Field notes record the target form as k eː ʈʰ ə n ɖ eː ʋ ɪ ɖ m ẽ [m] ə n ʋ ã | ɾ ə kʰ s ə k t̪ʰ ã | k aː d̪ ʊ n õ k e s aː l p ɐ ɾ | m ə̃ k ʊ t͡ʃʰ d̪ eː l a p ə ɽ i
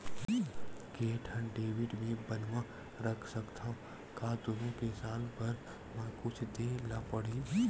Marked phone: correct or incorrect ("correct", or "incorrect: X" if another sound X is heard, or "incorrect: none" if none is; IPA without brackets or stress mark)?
incorrect: b